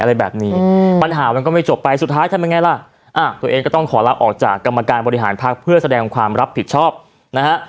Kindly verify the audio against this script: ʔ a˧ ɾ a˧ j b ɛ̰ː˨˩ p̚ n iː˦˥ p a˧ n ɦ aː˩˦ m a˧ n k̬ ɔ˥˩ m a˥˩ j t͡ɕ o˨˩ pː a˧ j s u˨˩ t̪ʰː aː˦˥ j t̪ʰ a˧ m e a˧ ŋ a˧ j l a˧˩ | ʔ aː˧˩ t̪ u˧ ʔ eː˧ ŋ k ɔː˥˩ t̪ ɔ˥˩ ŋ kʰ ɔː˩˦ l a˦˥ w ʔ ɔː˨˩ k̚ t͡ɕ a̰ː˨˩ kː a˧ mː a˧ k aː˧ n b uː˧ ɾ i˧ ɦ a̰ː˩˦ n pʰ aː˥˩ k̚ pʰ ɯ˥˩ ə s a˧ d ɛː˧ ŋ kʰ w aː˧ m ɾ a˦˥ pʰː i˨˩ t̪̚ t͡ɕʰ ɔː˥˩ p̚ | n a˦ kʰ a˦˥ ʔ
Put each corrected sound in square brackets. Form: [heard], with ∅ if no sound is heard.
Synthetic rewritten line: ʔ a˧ ɾ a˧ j b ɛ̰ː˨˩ p̚ n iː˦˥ p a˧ n ɦ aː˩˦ m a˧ n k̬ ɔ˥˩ m a˥˩ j t͡ɕ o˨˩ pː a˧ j s u˨˩ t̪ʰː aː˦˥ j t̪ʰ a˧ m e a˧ ŋ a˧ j l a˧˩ | ʔ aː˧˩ t̪ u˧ ʔ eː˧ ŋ k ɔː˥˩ t̪ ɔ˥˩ ŋ kʰ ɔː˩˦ l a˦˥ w ʔ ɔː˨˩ k̚ t͡ɕ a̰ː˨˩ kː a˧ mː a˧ k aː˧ n b [ɔː˧] ɾ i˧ ɦ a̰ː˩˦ n pʰ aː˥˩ k̚ pʰ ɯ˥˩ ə s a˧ d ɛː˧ ŋ kʰ w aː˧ m ɾ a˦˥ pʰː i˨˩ t̪̚ t͡ɕʰ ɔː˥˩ p̚ | n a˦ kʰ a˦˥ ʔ

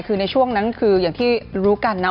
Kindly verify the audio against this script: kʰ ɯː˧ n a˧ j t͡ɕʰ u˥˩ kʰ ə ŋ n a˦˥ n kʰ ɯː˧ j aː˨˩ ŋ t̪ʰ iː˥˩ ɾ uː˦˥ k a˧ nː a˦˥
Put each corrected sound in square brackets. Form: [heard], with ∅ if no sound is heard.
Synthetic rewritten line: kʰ ɯː˧ n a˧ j t͡ɕʰ u˥˩ [∅] ə ŋ n a˦˥ n kʰ ɯː˧ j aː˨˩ ŋ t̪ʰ iː˥˩ ɾ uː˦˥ k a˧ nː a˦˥

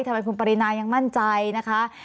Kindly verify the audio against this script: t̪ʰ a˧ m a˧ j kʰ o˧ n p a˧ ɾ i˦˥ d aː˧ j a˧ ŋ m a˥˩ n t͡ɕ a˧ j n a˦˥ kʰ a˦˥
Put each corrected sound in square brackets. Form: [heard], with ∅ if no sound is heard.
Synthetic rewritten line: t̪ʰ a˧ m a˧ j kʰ [u˧] n p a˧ ɾ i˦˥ [n] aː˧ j a˧ ŋ m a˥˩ n t͡ɕ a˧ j n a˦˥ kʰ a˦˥

